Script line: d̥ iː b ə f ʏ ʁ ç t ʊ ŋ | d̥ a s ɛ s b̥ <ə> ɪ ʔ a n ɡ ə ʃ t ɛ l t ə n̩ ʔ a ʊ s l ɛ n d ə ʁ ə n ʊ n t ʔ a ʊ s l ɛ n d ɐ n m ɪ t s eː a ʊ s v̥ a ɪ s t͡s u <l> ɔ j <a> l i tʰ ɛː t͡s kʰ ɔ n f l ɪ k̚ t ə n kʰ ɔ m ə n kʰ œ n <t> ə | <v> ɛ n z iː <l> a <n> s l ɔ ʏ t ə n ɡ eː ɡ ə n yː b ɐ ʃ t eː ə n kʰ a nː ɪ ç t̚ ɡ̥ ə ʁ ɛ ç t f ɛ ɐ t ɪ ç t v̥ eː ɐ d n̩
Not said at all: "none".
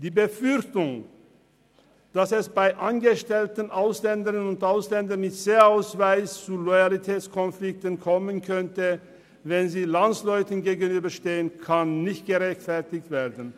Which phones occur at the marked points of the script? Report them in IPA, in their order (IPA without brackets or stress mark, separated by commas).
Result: a, l, a, t, v, l, n